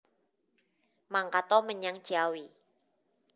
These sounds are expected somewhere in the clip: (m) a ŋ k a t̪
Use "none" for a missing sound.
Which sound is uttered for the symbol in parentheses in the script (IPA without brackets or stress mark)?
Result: m